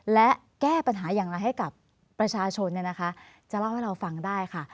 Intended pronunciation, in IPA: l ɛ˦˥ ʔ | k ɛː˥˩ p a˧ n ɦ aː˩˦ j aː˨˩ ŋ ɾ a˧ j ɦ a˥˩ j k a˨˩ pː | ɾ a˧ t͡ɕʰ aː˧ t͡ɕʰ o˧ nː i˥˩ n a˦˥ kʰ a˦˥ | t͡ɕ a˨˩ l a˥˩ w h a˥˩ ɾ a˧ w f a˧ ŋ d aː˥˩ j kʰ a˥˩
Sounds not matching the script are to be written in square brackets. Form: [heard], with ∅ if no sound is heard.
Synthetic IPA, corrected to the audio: l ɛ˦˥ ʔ | k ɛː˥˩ p a˧ n ɦ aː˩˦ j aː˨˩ ŋ ɾ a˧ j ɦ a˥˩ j k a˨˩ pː | ɾ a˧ t͡ɕʰ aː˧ t͡ɕʰ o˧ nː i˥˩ n a˦˥ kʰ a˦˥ | t͡ɕ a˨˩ l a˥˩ w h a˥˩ ɾ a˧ w f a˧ ŋ d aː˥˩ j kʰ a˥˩